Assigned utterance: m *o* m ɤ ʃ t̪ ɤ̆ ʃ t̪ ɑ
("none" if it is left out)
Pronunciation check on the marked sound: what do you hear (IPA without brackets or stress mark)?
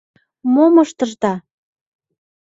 o